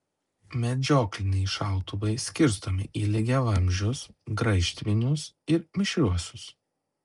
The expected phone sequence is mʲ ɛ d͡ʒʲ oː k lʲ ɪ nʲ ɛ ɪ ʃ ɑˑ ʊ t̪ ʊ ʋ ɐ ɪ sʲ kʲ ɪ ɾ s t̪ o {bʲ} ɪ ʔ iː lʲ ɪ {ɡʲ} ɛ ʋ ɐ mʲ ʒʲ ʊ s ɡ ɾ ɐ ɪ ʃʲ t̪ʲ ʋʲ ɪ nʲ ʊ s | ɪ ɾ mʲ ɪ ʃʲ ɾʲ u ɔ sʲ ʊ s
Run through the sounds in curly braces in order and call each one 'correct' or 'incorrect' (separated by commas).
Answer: incorrect, correct